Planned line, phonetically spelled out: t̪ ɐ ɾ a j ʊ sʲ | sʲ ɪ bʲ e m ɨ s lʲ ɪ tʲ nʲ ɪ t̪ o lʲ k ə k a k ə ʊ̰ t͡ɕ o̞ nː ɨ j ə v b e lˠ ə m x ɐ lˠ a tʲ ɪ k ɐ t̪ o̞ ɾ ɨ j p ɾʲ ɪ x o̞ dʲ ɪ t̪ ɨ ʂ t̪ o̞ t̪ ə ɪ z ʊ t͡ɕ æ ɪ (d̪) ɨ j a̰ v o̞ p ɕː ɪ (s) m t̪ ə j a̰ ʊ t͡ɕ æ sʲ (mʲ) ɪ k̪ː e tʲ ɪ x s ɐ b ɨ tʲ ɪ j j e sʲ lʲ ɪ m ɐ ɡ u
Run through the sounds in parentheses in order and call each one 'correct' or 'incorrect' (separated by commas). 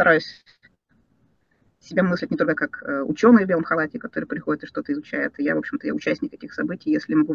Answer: incorrect, incorrect, incorrect